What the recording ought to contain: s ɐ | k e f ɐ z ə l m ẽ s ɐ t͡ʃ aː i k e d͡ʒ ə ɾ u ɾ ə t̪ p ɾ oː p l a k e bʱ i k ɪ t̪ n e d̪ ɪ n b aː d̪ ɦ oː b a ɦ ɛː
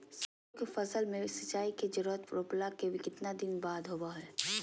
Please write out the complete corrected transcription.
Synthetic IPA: s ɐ | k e f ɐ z ə l m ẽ s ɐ t͡ʃ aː i k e d͡ʒ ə ɾ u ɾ ə t̪ p ɾ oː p l a k e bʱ i k ɪ t̪ n a d̪ ɪ n b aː d̪ ɦ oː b a ɦ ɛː